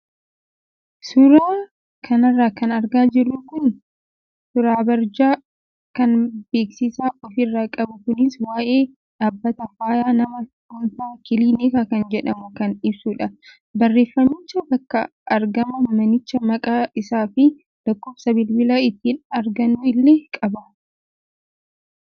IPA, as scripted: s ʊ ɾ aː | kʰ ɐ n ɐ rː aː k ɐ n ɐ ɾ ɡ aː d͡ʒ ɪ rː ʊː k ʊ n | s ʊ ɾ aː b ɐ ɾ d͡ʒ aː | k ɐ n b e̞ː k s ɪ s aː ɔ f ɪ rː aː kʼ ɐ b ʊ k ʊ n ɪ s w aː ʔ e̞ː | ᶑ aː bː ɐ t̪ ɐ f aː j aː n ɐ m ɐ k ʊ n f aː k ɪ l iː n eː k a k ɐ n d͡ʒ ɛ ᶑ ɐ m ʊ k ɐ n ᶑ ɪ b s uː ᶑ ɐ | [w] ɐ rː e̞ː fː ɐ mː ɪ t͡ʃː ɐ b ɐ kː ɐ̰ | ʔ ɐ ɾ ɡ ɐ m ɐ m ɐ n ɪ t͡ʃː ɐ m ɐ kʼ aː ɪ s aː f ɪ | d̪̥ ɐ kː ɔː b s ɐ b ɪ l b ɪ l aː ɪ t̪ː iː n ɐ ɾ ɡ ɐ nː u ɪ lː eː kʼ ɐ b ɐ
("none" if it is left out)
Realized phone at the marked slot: b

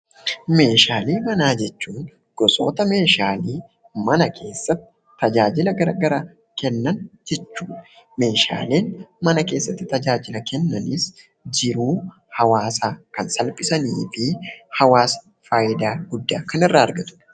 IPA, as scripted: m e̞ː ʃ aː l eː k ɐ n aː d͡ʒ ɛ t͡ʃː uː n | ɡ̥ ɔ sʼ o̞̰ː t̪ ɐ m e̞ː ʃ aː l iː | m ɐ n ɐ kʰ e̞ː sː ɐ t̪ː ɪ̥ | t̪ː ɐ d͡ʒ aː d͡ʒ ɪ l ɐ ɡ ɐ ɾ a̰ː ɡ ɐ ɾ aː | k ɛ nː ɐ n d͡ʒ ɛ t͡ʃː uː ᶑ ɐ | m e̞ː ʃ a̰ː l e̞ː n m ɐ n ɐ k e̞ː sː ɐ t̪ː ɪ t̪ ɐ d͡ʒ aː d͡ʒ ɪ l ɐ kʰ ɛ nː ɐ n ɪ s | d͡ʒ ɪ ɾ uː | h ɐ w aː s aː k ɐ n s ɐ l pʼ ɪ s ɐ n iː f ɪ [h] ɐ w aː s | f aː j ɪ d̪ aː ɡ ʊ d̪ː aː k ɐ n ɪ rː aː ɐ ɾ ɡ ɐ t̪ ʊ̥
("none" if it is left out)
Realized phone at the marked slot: h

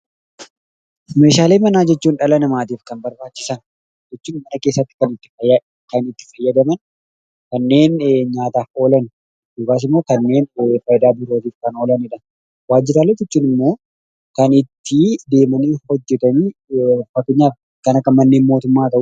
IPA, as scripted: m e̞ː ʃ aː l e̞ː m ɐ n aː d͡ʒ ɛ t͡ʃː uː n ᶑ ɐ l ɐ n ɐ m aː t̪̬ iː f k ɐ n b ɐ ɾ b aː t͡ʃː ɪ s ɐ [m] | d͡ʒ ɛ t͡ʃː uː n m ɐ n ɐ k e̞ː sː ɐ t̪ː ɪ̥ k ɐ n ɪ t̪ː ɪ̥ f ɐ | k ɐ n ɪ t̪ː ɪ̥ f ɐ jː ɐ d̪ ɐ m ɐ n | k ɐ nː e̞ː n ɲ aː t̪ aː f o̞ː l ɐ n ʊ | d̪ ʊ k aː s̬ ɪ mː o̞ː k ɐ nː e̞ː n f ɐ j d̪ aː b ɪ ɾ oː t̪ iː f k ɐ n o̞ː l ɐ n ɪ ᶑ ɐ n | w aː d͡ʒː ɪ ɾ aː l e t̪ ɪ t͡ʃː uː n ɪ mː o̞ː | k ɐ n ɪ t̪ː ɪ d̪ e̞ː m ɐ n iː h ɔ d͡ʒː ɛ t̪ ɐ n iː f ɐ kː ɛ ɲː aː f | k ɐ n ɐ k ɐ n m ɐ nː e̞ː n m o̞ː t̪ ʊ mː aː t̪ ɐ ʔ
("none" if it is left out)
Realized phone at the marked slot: n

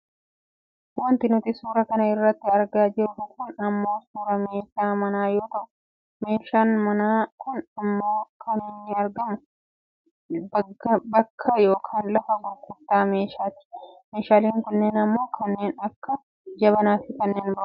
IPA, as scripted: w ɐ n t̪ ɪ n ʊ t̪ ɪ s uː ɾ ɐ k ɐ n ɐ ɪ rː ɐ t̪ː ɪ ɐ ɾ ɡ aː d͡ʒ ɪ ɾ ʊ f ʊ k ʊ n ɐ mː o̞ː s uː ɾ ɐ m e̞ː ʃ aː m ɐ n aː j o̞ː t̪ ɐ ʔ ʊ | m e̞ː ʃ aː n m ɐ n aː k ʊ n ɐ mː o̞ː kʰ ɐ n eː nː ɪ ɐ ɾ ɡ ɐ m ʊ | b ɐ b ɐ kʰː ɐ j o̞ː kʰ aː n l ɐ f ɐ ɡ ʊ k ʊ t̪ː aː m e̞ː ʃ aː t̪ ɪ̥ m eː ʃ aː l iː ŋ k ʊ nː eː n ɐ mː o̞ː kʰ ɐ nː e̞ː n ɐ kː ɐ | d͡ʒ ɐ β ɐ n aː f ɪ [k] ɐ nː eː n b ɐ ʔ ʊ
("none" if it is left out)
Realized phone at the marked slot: k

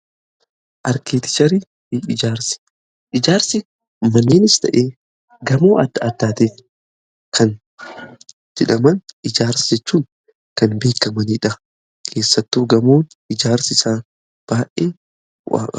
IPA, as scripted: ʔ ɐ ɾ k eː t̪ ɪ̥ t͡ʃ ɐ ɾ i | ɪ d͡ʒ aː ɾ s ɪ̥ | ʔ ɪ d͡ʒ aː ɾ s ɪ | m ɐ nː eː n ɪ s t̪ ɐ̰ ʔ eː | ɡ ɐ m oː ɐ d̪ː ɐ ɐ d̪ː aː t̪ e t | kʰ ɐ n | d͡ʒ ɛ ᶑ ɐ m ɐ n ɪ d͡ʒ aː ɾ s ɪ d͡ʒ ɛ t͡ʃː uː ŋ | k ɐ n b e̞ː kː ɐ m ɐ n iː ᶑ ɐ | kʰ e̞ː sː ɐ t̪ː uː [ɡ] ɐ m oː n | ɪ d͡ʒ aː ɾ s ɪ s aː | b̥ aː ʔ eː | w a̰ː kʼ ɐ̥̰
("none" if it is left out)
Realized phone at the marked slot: ɡ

